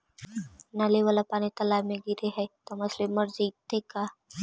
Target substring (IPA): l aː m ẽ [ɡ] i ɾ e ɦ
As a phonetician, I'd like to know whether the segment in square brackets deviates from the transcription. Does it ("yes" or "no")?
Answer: no